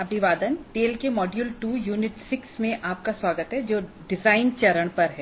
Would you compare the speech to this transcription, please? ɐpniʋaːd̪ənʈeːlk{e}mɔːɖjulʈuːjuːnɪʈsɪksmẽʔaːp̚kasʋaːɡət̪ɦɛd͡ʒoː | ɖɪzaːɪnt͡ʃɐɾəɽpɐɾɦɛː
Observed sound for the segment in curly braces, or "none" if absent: e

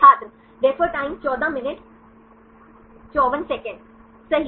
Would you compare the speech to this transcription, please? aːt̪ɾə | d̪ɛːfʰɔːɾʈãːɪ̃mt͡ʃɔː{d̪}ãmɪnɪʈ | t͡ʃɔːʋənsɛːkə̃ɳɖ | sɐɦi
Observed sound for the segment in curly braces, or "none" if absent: d̪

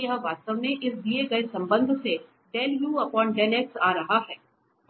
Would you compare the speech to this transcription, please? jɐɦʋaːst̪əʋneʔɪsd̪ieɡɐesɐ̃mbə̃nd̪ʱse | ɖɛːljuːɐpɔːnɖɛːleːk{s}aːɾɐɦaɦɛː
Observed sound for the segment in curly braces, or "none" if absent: s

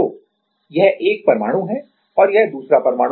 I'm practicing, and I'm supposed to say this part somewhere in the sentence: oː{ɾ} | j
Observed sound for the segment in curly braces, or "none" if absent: none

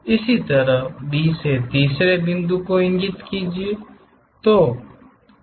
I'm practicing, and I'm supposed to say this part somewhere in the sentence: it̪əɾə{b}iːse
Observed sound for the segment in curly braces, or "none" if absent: b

